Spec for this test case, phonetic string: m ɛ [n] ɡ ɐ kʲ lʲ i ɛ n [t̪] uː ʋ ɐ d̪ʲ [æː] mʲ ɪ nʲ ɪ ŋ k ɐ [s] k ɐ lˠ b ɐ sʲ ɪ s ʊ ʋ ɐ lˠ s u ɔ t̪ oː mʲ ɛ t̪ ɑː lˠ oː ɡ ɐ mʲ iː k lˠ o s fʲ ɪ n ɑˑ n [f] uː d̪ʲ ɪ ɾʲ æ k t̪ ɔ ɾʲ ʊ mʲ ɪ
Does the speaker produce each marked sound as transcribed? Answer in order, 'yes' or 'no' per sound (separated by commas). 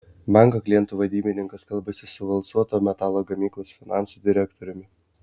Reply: no, yes, no, yes, no